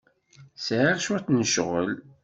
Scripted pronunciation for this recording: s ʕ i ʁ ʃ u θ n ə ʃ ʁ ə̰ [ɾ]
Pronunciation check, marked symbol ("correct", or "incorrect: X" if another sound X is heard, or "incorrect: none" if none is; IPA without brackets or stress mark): incorrect: l